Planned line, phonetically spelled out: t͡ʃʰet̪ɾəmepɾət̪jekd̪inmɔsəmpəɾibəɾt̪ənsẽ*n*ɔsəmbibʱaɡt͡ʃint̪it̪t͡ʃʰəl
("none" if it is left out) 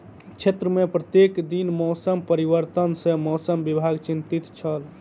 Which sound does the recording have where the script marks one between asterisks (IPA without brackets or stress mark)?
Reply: m